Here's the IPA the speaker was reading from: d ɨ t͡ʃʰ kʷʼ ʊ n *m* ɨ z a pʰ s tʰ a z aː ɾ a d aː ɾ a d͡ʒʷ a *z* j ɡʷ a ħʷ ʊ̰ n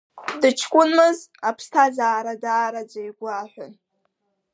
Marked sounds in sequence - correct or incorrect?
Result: correct, incorrect: none

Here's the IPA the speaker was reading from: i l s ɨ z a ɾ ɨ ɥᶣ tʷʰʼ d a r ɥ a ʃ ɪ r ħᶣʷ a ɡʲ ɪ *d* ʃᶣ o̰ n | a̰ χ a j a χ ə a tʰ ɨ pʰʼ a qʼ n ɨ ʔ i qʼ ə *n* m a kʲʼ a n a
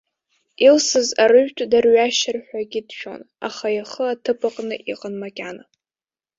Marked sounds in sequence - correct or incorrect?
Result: correct, correct

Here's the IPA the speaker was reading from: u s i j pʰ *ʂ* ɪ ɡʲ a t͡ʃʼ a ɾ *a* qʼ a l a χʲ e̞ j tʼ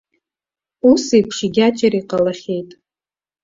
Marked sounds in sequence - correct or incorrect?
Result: correct, incorrect: i

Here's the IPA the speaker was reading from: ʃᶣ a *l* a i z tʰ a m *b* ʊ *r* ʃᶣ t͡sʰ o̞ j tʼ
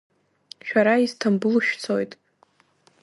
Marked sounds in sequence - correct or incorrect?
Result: incorrect: ɾ, correct, incorrect: l

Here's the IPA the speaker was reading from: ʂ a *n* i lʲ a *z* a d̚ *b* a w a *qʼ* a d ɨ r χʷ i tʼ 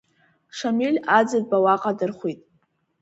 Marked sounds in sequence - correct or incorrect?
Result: incorrect: m, incorrect: d͡z, correct, correct

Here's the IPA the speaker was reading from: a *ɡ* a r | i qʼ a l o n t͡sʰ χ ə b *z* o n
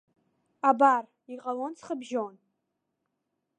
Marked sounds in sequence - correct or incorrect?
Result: incorrect: b, incorrect: ʒ

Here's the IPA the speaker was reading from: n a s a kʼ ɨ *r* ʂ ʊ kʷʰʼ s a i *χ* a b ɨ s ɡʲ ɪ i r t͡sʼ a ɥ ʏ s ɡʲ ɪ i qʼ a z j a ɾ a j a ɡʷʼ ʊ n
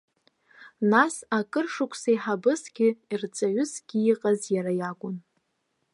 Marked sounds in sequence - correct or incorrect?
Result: correct, incorrect: ħ

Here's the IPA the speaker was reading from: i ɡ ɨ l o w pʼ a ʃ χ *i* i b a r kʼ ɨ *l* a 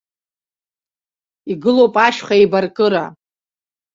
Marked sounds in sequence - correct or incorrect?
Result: incorrect: a, incorrect: ɾ

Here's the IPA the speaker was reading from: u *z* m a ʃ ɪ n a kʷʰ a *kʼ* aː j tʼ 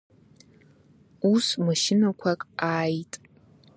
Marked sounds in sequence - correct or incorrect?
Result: incorrect: s, correct

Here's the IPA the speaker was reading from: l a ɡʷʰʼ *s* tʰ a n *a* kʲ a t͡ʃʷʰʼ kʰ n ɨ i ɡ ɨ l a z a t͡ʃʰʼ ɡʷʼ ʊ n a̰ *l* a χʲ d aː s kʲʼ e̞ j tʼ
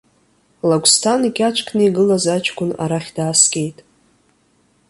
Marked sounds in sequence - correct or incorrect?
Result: correct, incorrect: i, incorrect: ɾ

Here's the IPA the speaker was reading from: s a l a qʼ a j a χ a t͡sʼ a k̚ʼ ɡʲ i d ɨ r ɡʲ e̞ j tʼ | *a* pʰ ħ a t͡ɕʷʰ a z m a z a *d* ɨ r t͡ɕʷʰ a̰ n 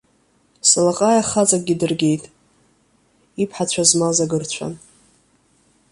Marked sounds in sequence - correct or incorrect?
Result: incorrect: i, incorrect: ɡ

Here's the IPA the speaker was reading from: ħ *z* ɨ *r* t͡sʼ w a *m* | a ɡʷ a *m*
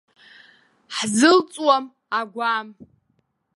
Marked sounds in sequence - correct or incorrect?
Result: correct, incorrect: l, correct, correct

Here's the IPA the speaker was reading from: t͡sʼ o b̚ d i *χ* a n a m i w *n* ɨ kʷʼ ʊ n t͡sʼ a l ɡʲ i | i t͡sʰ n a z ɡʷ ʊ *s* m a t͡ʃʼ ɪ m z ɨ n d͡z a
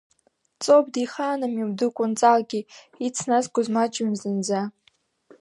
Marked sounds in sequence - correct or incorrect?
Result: correct, incorrect: d, incorrect: z

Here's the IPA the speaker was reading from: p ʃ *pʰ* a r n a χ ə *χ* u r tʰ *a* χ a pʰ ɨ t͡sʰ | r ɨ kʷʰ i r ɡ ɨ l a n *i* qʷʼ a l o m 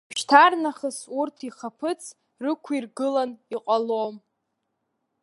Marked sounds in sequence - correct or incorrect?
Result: incorrect: tʰ, incorrect: s, incorrect: i, correct

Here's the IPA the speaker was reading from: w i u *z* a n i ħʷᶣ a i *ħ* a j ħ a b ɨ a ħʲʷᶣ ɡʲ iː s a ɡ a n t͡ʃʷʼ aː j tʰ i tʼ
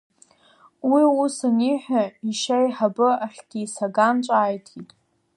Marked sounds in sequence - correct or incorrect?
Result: incorrect: s, incorrect: ʃ

